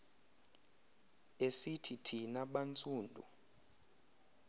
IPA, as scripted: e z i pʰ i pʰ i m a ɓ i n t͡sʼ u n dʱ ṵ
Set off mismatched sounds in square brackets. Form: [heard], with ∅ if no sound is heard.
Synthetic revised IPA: e [s] i [tʰ] i [tʰ] i [n] a ɓ [a] n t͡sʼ [uː] n dʱ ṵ